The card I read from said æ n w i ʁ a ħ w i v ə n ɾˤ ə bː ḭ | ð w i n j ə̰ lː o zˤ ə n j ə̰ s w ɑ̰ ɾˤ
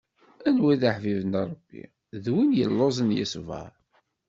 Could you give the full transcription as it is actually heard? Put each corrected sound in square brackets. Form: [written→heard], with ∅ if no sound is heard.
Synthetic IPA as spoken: æ n w i [ʁ→ð] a ħ [w→v] i v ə n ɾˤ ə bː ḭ | ð w i n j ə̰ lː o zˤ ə n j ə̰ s [w→v] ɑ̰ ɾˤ